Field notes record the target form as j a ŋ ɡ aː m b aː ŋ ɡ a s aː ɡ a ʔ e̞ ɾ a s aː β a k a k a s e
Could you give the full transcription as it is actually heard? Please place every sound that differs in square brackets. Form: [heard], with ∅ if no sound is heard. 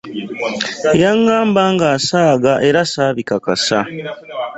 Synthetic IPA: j a ŋ ɡ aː m b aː ŋ ɡ a s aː ɡ a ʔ e̞ ɾ a s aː β [i] k a k a s [a]

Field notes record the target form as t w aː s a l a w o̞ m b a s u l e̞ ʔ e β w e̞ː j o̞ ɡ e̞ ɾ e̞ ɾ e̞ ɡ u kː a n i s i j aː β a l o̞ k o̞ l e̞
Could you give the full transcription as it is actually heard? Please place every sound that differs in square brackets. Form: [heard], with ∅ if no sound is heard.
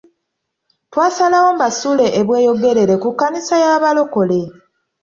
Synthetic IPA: t w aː s a l a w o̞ m b a s u l e̞ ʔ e β w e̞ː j o̞ ɡ e̞ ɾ e̞ ɾ e̞ [k] u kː a n i s [a] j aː β a l o̞ k o̞ l e̞

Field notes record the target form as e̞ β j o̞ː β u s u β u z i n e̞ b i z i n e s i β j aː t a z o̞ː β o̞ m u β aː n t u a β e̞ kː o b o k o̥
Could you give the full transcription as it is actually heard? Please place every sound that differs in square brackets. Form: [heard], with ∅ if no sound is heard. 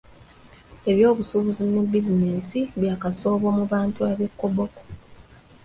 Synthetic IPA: e̞ β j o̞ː β u s u β u z i n e̞ b i z i n e s i β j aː [k] a [s] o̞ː β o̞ m u β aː n t u a β e̞ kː o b o k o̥

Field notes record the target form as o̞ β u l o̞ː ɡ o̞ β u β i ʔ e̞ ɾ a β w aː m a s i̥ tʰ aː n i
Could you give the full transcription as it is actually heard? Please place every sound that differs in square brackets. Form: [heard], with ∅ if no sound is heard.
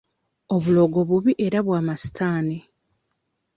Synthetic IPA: o̞ β u l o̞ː ɡ o̞ β u β i ʔ e̞ ɾ a β w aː m a s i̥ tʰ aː n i

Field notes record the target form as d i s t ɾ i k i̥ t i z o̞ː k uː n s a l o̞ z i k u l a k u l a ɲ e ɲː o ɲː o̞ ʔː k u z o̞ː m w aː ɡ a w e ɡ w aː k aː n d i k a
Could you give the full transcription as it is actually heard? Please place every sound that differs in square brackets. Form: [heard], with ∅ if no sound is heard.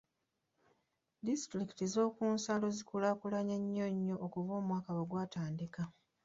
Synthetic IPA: d i s t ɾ i k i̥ t i z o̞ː k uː n s a l o̞ z i k u l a k u l a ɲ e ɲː o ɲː o̞ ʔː k u [v] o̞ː m w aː [k] a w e ɡ w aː [t] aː n d i k a

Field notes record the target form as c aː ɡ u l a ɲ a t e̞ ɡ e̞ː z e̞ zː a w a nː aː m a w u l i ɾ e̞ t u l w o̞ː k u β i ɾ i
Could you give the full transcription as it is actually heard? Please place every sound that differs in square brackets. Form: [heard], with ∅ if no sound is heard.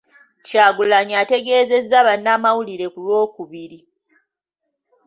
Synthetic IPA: c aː ɡ u l a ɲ a t e̞ ɡ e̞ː z e̞ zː a [β] a nː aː m a w u l i ɾ e̞ [k] u l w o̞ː k u β i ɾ i

